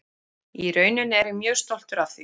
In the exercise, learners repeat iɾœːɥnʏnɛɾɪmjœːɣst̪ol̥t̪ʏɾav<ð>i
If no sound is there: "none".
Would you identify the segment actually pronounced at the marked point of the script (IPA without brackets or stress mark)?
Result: θ